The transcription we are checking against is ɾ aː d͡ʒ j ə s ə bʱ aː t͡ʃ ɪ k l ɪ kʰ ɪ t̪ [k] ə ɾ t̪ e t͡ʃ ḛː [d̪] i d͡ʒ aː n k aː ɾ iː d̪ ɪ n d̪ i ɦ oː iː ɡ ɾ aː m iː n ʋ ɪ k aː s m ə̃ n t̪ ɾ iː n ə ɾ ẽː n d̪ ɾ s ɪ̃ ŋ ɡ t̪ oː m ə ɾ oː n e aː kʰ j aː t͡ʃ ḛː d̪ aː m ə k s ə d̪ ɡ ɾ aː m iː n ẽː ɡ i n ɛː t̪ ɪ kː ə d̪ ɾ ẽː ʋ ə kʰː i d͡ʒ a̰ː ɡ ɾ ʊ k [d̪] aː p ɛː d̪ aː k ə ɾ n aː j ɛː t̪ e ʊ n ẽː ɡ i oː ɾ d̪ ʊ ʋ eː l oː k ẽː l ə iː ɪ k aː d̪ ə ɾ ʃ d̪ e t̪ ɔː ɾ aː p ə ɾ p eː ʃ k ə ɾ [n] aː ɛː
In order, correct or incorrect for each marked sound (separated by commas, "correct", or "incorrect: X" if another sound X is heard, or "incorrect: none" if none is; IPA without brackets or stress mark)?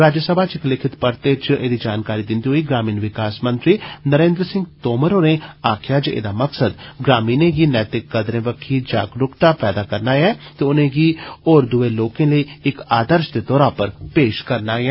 incorrect: p, correct, incorrect: t̪, correct